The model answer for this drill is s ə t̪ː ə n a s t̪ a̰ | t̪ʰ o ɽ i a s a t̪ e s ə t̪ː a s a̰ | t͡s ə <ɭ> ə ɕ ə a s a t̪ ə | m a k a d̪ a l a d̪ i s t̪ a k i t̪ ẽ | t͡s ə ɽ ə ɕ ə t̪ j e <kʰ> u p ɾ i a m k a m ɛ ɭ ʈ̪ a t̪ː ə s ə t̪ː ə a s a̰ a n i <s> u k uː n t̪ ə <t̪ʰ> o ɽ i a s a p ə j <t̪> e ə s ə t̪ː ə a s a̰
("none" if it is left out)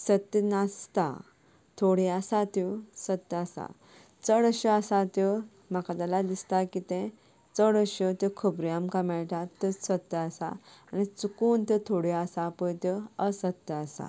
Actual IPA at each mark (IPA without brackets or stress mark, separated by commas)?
ɽ, kʰ, t͡s, t̪ʰ, t̪